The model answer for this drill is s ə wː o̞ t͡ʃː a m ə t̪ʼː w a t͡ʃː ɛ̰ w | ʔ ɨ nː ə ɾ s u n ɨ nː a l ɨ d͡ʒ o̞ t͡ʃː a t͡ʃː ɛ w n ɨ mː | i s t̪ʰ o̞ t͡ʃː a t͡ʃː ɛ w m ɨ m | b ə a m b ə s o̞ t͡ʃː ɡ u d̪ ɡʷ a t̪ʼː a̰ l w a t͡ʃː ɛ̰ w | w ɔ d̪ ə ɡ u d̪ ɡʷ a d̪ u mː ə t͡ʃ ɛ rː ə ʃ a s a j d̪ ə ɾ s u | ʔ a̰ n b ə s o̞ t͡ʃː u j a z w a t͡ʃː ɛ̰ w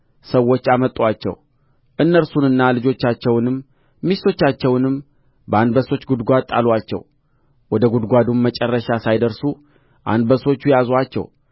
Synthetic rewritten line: s ə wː o̞ t͡ʃː a m ə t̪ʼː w a t͡ʃː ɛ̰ w | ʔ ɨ nː ə ɾ s u n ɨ nː a l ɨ d͡ʒ o̞ t͡ʃː a t͡ʃː ɛ w n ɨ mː | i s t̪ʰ o̞ t͡ʃː a t͡ʃː ɛ w n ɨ m | b ə a n b ə s o̞ t͡ʃː ɡ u d̪ ɡʷ a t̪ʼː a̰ l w a t͡ʃː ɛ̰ w | w ɔ d̪ ə ɡ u d̪ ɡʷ a d̪ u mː ə t͡ʃʼ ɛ rː ə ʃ a s a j d̪ ə ɾ s u | ʔ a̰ n b ə s o̞ t͡ʃː u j a z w a t͡ʃː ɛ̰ w

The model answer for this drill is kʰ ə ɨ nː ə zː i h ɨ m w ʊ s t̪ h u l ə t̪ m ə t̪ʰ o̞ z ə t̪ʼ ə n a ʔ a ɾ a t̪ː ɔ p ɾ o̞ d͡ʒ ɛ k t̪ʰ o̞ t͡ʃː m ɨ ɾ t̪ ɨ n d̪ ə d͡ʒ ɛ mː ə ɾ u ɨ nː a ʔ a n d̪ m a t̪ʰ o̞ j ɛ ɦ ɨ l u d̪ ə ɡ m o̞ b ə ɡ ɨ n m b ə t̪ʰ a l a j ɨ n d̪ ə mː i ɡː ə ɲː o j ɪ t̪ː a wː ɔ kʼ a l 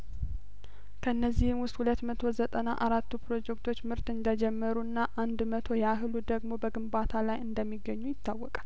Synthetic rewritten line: kʰ ə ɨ nː ə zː i h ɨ m w ʊ s t̪ h u l ə t̪ m ə t̪ʰ o̞ z ə t̪ʼ ə n a ʔ a ɾ a t̪ː u p ɾ o̞ d͡ʒ ɛ k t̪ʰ o̞ t͡ʃː m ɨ ɾ t̪ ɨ n d̪ ə d͡ʒ ɛ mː ə ɾ u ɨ nː a ʔ a n d̪ m ə t̪ʰ o̞ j a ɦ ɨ l u d̪ ə ɡ m o̞ b ə ɡ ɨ m b a t̪ʰ a l a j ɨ n d̪ ə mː i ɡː ə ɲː u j ɪ t̪ː a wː ɔ kʼ a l

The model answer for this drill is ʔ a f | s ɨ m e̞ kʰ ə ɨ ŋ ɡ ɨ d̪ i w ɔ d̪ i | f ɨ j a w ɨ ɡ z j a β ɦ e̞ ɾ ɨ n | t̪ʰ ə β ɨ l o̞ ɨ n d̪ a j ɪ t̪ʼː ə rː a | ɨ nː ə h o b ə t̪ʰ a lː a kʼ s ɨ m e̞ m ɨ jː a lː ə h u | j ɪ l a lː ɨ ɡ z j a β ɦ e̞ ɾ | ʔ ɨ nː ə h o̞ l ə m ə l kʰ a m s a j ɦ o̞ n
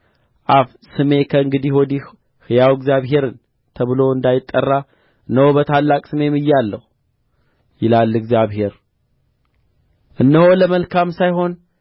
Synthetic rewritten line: ʔ a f | s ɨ m e̞ kʰ ə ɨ ŋ ɡ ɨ d̪ i w ɔ d̪ i | h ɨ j a w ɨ ɡ z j a β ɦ e̞ ɾ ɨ n | t̪ʰ ə β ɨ l o̞ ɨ n d̪ a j ɪ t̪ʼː ə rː a | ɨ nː ə h o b ə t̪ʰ a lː a kʼ s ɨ m e̞ m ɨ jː a lː ə h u | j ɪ l a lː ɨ ɡ z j a β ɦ e̞ ɾ | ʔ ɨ nː ə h o̞ l ə m ə l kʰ a m s a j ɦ o̞ n

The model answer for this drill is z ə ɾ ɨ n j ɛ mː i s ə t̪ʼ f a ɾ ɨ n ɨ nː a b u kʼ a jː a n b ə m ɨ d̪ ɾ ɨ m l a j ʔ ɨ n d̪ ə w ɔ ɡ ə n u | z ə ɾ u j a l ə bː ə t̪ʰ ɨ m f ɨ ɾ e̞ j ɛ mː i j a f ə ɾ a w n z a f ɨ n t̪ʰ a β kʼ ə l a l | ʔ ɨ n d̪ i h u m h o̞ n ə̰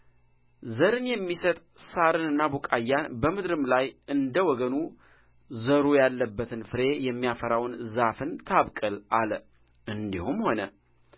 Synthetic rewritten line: z ə ɾ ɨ n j ɛ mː i s ə t̪ʼ s a ɾ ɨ n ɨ nː a b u kʼ a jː a n b ə m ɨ d̪ ɾ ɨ m l a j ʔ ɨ n d̪ ə w ɔ ɡ ə n u | z ə ɾ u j a lː ə bː ə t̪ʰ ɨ n f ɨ ɾ e̞ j ɛ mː i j a f ə ɾ a w n z a f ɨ n t̪ʰ a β kʼ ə l a l | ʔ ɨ n d̪ i h u m h o̞ n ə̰

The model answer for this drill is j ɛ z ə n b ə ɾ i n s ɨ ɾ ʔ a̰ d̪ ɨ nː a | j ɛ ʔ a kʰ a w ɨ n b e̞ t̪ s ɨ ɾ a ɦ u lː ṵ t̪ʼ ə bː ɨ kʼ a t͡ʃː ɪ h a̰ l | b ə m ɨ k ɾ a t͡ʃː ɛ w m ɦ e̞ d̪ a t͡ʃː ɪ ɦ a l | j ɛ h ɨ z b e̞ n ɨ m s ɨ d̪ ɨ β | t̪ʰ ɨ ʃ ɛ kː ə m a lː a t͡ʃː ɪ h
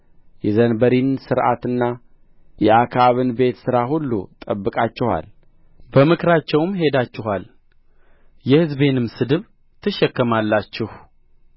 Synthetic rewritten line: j ɛ z ə n b ə ɾ i n s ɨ ɾ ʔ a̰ t̪ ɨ nː a | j ɛ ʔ a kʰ a β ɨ n b e̞ t̪ s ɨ ɾ a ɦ u lː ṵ t̪ʼ ə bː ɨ kʼ a t͡ʃː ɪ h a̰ l | b ə m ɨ k ɾ a t͡ʃː ɛ w m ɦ e̞ d̪ a t͡ʃː ɪ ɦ a l | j ɛ h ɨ z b e̞ n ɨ m s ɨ d̪ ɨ β | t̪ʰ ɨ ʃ ɛ kː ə m a lː a t͡ʃː ɪ h

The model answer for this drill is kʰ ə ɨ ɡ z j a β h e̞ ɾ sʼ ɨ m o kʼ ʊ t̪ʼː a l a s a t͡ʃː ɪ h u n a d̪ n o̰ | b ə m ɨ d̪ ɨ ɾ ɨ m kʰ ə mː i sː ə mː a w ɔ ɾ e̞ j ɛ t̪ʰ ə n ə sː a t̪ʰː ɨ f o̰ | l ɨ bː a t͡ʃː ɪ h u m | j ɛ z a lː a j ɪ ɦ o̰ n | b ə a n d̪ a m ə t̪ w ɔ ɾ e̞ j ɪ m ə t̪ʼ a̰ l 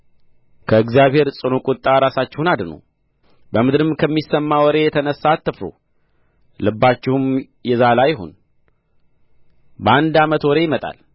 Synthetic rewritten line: kʰ ə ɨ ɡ z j a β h e̞ ɾ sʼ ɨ n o kʼ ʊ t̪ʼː a ɾ a s a t͡ʃː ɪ h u n a d̪ n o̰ | b ə m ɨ d̪ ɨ ɾ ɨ m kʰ ə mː i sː ə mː a w ɔ ɾ e̞ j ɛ t̪ʰ ə n ə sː a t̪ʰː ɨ f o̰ | l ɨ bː a t͡ʃː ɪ h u m | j ɛ z a l a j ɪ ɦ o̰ n | b ə a n d̪ a m ə t̪ w ɔ ɾ e̞ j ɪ m ə t̪ʼ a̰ l

